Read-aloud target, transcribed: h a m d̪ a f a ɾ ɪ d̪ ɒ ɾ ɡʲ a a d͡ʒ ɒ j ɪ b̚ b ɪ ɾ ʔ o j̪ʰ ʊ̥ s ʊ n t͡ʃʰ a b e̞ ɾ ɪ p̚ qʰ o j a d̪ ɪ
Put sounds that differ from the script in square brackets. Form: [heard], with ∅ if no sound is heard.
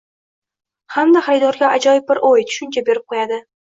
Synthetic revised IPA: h a m d̪ a [χ] a ɾ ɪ d̪ ɒ ɾ ɡʲ a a d͡ʒ ɒ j ɪ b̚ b ɪ ɾ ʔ o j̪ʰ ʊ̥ [ʃ] ʊ n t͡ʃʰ a b e̞ ɾ ɪ p̚ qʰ o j a d̪ ɪ